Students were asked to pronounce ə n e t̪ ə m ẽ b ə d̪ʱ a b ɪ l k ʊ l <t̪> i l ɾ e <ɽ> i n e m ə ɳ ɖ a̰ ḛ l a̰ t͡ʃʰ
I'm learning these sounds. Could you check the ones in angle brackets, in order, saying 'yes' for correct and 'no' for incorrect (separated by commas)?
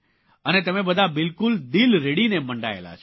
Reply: no, yes